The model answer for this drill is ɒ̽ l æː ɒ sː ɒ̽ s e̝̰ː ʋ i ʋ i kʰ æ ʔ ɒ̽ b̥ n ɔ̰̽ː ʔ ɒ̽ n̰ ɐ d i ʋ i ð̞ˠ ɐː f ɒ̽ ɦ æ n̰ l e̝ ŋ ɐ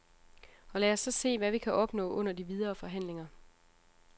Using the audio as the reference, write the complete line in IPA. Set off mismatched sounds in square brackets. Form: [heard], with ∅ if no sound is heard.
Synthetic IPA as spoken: ɒ̽ l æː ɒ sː ɒ̽ s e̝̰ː ʋ [æ] ʋ i kʰ æ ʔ ɒ̽ b̥ n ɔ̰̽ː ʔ [ɔ̽] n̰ ɐ d i ʋ i ð̞ˠ ɐː f ɒ̽ ɦ æ n̰ l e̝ ŋ ɐ